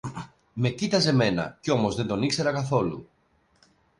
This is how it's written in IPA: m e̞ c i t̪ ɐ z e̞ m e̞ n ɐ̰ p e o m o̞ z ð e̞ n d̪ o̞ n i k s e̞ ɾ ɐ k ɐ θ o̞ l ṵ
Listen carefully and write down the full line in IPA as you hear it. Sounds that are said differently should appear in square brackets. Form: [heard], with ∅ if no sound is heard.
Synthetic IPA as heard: m e̞ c i t̪ ɐ z e̞ m e̞ n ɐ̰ [c] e o m o̞ z ð e̞ n d̪ o̞ n i k s e̞ ɾ ɐ k ɐ θ o̞ l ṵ